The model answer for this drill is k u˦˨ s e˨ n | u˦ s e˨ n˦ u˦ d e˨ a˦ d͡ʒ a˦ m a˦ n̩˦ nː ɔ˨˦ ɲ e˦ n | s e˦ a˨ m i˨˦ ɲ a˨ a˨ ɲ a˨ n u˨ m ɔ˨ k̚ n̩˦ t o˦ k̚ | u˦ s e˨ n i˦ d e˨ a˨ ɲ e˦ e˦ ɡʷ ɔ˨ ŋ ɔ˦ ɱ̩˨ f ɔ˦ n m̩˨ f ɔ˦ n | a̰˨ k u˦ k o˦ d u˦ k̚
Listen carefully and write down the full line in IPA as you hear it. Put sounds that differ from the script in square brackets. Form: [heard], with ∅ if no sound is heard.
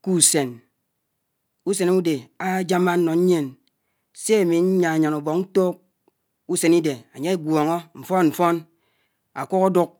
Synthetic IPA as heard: k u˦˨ s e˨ n | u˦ s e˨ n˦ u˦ d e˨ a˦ d͡ʒ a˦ m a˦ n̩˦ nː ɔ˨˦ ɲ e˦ n | s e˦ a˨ m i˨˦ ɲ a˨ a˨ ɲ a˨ n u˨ [b] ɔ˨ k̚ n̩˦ t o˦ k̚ | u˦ s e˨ n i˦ d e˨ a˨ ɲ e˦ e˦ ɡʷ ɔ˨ ŋ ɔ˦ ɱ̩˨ f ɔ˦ n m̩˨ f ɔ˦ n | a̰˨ k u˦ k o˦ d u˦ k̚